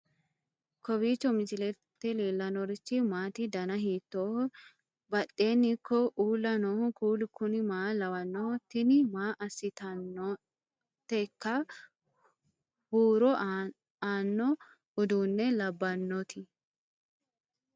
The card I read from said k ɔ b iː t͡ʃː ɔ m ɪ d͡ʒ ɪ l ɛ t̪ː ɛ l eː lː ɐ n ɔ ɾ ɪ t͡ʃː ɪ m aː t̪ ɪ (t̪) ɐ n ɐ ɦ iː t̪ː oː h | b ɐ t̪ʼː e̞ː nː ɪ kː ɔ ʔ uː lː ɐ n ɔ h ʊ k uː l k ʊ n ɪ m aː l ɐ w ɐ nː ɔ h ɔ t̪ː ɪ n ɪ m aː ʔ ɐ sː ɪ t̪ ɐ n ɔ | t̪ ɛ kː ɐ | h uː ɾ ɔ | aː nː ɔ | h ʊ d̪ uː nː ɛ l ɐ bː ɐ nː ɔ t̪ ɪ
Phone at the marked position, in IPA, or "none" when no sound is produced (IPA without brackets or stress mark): d̪